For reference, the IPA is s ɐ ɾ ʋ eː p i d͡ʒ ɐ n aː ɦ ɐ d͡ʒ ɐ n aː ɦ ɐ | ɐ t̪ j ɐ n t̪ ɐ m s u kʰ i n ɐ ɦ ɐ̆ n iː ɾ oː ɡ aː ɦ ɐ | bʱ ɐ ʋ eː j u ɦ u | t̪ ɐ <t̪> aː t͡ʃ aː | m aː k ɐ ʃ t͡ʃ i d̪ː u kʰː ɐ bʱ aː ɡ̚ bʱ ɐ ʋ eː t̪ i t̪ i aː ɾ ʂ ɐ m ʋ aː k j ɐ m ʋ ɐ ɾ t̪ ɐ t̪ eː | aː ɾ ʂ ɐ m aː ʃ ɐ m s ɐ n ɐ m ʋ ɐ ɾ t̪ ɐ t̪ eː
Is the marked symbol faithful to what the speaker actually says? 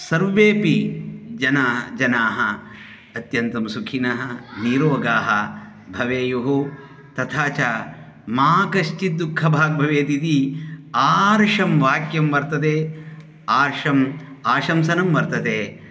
no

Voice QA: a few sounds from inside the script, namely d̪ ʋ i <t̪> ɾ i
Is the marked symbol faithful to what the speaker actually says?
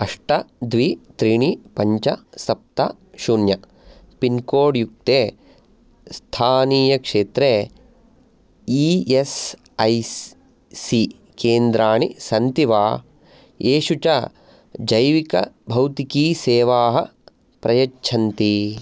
yes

